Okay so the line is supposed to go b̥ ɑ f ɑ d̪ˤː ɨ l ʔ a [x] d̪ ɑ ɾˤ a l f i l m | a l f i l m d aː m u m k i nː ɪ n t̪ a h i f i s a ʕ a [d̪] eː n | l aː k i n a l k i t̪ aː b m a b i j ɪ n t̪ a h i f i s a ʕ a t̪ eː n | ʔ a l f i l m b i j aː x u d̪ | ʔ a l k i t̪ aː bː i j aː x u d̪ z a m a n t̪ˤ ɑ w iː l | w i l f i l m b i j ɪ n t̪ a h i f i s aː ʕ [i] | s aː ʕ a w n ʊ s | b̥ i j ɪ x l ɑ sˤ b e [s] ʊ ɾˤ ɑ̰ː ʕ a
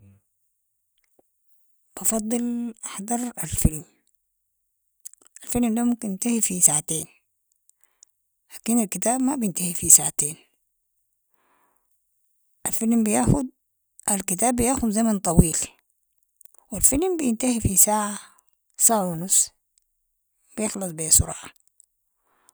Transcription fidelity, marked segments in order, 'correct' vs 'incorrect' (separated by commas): incorrect, incorrect, incorrect, correct